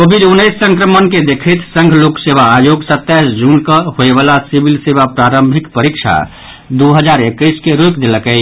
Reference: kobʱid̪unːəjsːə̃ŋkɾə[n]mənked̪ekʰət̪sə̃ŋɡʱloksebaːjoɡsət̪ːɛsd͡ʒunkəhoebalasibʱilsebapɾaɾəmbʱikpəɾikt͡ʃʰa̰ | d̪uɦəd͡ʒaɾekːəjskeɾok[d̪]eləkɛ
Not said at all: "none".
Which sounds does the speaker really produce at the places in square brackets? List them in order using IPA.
none, d̪

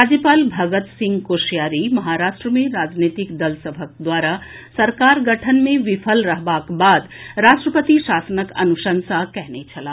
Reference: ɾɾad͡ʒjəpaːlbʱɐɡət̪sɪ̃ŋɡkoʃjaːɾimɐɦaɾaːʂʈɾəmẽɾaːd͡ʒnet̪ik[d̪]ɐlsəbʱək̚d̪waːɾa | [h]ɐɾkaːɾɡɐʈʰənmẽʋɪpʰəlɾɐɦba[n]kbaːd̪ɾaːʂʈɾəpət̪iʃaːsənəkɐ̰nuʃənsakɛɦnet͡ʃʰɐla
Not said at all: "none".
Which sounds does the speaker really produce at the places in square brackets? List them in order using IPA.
d̪, s, none

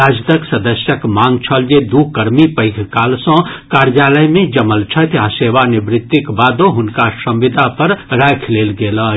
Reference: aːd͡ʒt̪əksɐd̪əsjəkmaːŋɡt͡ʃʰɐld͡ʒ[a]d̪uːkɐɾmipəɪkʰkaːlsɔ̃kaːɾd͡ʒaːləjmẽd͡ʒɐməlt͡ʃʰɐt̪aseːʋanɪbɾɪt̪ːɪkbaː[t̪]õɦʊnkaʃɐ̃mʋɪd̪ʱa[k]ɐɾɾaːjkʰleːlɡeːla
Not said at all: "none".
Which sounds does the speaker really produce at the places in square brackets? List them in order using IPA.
e, d̪, p

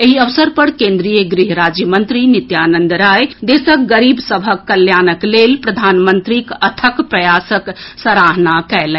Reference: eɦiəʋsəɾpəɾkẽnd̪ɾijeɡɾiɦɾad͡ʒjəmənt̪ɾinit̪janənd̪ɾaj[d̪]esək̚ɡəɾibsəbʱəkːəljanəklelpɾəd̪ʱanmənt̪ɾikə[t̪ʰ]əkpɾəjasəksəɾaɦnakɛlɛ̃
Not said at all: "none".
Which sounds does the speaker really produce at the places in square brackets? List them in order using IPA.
d̪, t̪ʰ

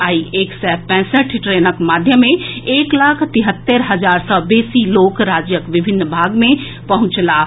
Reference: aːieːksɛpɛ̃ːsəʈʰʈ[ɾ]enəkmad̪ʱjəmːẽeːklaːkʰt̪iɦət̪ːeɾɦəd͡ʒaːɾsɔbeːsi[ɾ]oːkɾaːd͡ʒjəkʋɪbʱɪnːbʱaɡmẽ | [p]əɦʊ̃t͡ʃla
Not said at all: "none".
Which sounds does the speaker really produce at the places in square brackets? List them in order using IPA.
ɾ, l, p

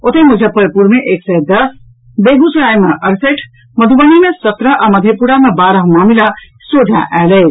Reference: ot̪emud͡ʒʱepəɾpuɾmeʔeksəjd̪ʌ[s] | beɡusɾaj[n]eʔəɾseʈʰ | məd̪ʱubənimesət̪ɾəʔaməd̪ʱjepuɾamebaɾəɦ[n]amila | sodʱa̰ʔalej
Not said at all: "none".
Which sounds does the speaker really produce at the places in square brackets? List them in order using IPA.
s, m, m

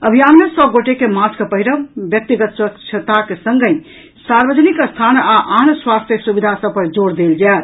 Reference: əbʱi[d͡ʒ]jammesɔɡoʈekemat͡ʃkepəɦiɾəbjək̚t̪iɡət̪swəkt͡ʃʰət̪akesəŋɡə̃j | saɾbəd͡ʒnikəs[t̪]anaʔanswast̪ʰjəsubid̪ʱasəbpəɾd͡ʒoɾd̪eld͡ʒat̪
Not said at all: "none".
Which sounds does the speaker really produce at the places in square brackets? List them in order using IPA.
none, t̪ʰ

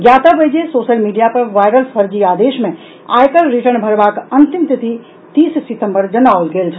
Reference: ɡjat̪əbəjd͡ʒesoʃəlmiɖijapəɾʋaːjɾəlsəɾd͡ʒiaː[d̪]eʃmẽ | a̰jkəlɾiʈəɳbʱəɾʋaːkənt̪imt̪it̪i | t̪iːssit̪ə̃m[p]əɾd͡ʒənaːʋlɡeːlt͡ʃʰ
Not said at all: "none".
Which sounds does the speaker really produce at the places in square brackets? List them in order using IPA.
d̪, b

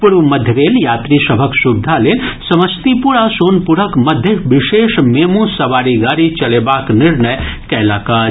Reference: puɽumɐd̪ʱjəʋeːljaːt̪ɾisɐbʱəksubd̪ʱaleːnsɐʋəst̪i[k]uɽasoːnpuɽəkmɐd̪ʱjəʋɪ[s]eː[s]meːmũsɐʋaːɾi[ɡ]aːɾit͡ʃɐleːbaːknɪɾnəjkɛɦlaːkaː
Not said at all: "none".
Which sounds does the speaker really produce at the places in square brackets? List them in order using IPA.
p, ʃ, ʃ, ɡ

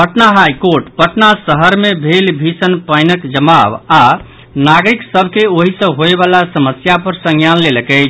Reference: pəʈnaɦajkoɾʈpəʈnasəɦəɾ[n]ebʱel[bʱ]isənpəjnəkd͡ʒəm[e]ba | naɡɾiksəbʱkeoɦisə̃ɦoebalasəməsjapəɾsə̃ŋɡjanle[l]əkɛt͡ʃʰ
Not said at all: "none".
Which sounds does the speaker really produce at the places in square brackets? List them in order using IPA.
m, bʱ, a, l

